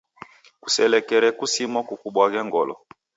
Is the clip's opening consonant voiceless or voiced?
voiceless